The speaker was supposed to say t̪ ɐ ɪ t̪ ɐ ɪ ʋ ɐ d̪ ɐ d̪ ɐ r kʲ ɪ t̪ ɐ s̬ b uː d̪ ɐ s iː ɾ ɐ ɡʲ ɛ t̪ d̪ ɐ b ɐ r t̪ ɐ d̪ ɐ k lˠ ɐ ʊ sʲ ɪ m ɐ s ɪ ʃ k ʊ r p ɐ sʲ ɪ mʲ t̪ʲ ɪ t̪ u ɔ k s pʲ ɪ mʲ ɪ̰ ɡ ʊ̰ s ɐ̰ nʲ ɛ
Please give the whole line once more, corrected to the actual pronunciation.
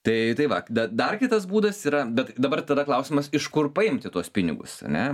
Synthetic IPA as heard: t̪ ɐ ɪ t̪ ɐ ɪ ʋ ɐ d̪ ɐ d̪ ɐ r kʲ ɪ t̪ ɐ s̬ b uː d̪ ɐ s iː ɾ ɐ bʲ ɛ t̪ d̪ ɐ b ɐ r t̪ ɐ d̪ ɐ k lˠ ɐ ʊ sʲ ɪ m ɐ s ɪ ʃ k ʊ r p ɐ ɪ mʲ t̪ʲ ɪ t̪ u ɔ s pʲ ɪ nʲ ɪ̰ ɡ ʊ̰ s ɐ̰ nʲ ɛ

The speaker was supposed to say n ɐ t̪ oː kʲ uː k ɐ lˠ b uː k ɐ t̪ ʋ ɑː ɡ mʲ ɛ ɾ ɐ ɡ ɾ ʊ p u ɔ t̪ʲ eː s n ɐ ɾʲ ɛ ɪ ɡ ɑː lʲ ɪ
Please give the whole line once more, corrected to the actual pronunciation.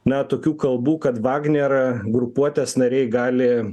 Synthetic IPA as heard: n ɐ t̪ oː kʲ uː k ɐ lˠ b uː k ɐ t̪ ʋ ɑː ɡ nʲ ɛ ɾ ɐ ɡ ɾ ʊ p u ɔ t̪ʲ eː s n ɐ ɾʲ ɛ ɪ ɡ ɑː lʲ ɪ

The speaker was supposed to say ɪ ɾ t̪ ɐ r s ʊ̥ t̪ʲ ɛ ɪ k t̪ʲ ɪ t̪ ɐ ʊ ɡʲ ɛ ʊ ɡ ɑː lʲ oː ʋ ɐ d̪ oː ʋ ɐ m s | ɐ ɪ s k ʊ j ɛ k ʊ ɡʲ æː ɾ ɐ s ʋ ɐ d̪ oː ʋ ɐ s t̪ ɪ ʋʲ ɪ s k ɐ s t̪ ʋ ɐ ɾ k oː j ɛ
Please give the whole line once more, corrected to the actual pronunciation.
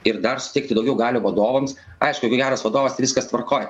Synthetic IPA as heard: ɪ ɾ d̪ ɐ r s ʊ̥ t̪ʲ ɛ ɪ k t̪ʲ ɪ d̪ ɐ ʊ ɡʲ ɛ ʊ ɡ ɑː lʲ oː ʋ ɐ d̪ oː ʋ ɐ m s | ɐ ɪ ʃ k ʊ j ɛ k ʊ ɡʲ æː ɾ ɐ s ʋ ɐ d̪ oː ʋ ɐ s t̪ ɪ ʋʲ ɪ s k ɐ s t̪ ʋ ɐ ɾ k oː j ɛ

